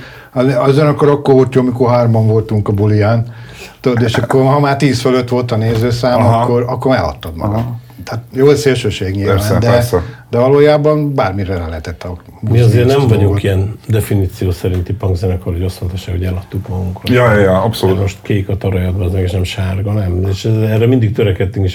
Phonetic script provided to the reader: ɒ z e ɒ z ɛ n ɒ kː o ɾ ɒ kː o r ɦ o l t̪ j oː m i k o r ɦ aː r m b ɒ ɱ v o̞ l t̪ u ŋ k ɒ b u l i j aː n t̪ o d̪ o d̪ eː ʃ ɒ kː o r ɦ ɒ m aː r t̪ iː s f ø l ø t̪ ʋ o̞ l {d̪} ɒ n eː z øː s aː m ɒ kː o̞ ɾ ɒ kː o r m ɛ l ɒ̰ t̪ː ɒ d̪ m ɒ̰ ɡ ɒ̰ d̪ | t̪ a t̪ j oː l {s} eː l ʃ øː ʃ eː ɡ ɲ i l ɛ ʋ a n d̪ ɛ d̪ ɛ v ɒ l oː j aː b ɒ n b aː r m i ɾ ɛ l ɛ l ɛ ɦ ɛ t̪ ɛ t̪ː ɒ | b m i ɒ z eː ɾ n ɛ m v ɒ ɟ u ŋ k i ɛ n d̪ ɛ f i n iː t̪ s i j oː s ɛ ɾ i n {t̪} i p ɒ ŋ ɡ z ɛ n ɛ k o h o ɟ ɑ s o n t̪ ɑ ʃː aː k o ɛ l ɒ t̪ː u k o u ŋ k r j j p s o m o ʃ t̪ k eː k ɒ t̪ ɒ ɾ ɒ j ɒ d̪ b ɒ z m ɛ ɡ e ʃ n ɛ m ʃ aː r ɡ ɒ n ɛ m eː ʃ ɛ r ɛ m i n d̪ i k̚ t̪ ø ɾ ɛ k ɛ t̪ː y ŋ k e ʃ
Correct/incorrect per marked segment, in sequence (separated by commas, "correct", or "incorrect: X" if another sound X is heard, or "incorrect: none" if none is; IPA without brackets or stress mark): incorrect: t̪, correct, correct